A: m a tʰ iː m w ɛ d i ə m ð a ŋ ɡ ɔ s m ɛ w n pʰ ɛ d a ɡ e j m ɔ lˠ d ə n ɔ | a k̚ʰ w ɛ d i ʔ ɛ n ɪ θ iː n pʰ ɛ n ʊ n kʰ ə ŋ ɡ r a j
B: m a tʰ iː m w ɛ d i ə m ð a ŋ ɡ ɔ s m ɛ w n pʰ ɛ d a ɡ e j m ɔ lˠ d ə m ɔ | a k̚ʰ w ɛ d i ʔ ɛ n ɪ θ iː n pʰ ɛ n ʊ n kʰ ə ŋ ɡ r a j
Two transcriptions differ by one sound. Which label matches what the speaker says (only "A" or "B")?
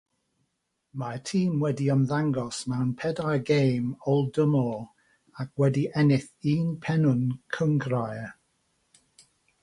B